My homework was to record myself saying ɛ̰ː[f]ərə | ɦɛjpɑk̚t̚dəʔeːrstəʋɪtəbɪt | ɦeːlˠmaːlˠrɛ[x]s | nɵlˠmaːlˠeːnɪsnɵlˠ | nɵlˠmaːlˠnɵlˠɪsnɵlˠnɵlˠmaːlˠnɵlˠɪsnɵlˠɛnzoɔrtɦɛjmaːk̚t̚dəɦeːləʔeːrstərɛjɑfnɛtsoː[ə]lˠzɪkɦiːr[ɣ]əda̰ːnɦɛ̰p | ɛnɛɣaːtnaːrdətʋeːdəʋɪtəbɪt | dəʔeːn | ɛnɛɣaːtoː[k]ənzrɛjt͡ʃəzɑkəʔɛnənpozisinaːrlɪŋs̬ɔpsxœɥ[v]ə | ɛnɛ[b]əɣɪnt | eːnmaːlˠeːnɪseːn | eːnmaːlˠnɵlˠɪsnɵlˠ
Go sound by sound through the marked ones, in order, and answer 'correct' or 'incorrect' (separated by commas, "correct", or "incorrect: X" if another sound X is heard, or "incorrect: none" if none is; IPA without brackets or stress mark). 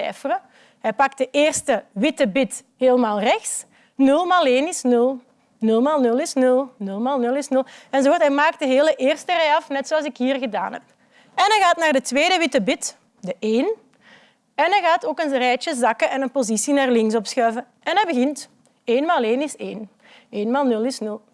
correct, correct, incorrect: ɑ, correct, correct, correct, correct